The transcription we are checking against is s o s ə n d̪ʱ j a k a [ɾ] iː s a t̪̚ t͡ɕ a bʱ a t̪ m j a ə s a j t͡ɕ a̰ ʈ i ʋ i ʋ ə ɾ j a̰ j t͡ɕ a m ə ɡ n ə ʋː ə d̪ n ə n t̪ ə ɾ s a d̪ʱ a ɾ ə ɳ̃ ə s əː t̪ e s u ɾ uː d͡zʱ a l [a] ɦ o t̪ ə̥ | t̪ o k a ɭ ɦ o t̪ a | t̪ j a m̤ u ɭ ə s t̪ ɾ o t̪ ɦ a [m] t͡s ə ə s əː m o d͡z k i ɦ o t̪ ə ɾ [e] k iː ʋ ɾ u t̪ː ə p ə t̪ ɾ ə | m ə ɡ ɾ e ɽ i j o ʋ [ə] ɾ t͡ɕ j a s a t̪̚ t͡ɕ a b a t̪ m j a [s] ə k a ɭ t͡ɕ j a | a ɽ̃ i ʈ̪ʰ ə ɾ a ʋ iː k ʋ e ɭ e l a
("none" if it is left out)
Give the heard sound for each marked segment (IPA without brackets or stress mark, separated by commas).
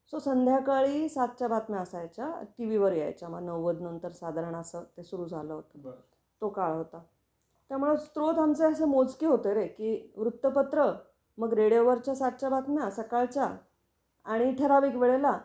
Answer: ɭ, ə, m, e, ə, s